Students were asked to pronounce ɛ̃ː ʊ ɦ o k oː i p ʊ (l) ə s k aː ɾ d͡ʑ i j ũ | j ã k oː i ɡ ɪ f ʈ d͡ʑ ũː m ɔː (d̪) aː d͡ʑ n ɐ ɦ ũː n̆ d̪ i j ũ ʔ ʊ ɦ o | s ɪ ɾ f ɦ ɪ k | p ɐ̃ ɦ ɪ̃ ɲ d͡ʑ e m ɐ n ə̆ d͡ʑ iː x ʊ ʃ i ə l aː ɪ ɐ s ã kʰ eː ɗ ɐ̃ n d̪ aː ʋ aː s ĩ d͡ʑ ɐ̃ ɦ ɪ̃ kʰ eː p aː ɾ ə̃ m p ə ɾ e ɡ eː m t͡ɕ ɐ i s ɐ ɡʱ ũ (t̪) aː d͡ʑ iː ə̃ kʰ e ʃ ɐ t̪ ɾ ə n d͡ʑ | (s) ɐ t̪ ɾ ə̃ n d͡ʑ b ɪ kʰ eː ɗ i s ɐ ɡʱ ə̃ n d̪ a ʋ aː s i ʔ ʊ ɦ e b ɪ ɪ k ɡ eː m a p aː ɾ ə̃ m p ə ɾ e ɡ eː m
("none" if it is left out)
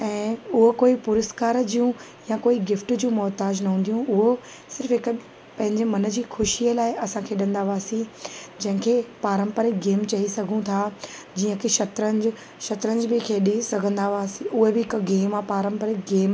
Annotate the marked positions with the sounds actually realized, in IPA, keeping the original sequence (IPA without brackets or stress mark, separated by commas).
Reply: ɾ, t̪, t̪ʰ, ʃ